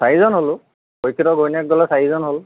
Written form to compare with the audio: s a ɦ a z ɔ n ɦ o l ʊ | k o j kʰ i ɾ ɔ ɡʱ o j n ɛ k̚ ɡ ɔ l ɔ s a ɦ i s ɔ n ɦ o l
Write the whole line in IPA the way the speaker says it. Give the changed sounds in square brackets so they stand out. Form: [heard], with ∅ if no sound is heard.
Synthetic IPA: s a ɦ [i] z ɔ n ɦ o l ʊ | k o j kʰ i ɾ ɔ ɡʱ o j n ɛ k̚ ɡ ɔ l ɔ s a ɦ i [z] ɔ n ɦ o l